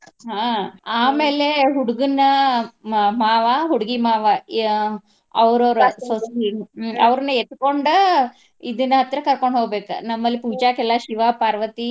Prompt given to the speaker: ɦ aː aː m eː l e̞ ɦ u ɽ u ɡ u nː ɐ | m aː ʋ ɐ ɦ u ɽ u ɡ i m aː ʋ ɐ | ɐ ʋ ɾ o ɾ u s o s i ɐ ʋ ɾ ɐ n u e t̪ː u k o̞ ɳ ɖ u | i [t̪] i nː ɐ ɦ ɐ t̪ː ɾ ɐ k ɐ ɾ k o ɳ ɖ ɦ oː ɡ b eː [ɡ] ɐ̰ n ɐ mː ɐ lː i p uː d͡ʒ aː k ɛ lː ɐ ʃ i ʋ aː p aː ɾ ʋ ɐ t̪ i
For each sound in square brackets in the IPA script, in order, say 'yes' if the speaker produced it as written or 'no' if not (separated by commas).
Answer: no, no